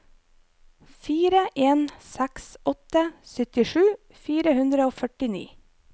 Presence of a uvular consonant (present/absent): absent